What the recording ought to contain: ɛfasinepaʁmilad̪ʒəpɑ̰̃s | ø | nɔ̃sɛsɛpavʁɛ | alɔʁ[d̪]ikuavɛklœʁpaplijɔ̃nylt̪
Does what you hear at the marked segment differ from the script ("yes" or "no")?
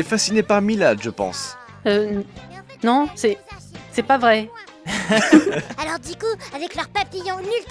no